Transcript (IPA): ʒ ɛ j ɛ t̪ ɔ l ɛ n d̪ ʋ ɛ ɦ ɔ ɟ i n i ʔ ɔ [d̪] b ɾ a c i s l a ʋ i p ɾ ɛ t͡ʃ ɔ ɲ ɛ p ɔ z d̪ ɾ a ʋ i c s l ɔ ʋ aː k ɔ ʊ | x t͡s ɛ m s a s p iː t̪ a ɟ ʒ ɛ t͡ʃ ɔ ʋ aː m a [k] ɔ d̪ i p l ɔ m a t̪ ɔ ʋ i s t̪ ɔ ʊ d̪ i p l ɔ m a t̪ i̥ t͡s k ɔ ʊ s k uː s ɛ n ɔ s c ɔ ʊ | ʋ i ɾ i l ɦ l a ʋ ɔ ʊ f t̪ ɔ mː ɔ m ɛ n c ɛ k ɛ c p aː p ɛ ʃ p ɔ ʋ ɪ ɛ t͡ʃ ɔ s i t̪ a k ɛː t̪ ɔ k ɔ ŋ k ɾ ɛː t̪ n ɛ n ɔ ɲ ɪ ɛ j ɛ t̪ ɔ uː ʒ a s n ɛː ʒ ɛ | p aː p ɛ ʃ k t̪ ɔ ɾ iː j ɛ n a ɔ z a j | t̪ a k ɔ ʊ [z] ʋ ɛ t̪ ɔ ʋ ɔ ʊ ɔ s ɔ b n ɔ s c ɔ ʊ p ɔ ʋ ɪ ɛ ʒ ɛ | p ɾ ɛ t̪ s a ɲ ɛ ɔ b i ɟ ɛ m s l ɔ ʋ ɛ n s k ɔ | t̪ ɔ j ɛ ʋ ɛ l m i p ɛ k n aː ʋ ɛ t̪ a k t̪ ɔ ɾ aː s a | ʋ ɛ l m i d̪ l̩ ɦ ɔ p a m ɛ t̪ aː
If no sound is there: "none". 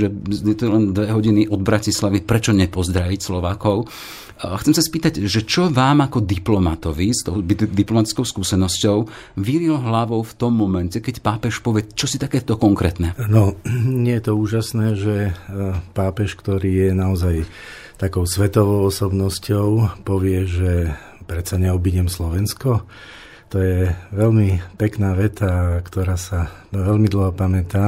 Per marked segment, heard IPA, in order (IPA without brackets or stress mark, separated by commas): d̪, k, s